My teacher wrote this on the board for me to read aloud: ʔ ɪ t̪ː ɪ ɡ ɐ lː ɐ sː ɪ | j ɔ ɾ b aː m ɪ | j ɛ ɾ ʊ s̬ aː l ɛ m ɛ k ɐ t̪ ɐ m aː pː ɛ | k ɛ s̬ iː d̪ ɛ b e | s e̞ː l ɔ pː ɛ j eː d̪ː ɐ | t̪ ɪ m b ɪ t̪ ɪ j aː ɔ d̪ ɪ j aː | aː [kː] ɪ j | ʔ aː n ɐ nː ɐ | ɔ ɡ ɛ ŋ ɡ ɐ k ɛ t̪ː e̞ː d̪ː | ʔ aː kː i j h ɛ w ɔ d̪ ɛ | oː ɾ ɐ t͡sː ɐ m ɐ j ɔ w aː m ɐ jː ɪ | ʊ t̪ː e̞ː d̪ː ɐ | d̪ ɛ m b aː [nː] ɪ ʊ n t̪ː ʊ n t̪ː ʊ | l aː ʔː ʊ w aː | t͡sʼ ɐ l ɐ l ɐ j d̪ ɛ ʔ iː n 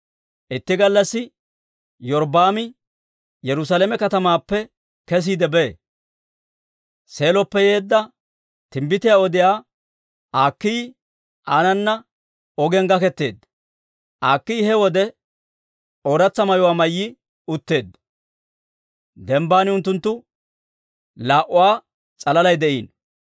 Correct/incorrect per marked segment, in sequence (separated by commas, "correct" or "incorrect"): correct, incorrect